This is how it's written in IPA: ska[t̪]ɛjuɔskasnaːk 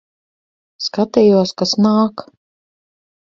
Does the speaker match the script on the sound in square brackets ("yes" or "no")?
yes